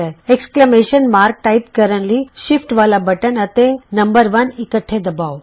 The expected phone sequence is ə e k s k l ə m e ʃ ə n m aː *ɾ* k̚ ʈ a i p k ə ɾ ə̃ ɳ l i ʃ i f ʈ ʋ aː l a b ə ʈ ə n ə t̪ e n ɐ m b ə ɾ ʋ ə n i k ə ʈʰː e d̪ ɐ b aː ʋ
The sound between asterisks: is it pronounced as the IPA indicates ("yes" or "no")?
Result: yes